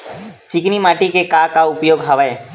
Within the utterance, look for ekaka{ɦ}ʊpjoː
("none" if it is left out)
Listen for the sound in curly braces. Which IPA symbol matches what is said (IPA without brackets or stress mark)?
none